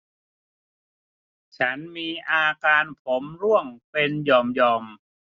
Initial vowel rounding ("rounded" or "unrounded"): unrounded